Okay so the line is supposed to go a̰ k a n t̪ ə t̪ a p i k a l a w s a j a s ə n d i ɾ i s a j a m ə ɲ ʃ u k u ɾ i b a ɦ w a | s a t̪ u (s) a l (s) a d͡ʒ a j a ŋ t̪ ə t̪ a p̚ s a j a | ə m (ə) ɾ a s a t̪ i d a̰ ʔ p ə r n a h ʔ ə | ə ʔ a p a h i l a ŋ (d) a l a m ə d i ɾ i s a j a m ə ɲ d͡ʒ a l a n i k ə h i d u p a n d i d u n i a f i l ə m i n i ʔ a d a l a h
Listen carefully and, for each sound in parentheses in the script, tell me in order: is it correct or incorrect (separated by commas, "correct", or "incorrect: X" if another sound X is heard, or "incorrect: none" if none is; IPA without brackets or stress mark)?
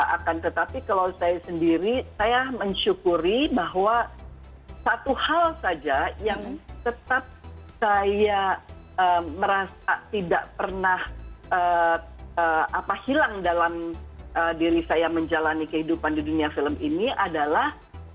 incorrect: h, correct, correct, correct